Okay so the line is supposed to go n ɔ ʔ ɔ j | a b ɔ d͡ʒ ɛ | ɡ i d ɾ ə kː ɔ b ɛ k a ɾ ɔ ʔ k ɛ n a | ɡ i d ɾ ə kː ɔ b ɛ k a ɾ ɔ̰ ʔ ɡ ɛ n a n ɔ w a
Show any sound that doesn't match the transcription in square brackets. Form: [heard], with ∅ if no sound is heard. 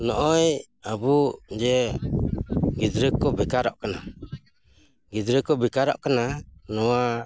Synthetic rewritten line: n ɔ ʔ ɔ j | a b [u] d͡ʒ ɛ | ɡ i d ɾ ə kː ɔ b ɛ k a ɾ ɔ ʔ k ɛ n a | ɡ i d ɾ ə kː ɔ b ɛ k a ɾ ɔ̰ ʔ [k] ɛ n a n ɔ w a